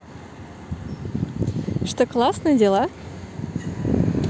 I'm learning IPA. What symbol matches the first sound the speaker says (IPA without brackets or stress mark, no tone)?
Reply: ʂ